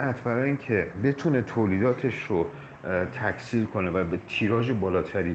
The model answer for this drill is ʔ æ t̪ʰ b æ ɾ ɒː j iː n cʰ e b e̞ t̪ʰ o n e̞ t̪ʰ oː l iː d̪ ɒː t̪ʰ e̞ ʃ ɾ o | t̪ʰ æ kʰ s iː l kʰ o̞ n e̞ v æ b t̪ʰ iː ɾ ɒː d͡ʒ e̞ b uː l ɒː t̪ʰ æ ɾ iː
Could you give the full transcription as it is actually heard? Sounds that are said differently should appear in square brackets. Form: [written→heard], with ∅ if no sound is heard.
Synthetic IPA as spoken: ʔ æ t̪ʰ b æ ɾ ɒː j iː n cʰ e b e̞ t̪ʰ [o→u] n e̞ t̪ʰ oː l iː d̪ ɒː t̪ʰ e̞ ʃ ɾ o | t̪ʰ æ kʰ s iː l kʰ o̞ n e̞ v æ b t̪ʰ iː ɾ ɒː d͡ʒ e̞ b [uː→ɒː] l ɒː t̪ʰ æ ɾ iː